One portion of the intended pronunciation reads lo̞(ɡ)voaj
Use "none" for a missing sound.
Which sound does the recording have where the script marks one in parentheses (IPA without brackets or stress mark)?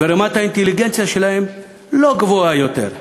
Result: ɡ